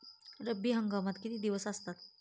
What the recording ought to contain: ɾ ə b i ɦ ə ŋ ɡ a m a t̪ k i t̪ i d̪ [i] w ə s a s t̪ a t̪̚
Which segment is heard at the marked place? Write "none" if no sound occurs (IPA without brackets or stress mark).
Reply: i